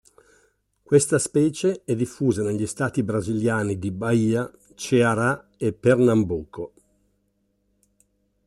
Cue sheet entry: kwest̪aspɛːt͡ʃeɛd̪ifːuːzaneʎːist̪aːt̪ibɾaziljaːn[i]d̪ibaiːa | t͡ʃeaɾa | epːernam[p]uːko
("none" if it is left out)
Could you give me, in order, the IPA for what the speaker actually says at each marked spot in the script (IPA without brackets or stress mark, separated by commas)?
i, b